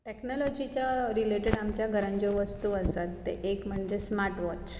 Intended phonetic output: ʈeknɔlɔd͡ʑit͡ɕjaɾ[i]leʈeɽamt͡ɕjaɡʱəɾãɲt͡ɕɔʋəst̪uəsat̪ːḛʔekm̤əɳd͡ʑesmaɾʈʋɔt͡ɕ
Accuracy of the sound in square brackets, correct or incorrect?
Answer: correct